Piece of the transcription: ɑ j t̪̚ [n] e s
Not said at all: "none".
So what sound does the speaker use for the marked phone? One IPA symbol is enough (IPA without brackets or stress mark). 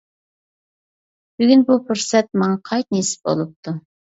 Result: n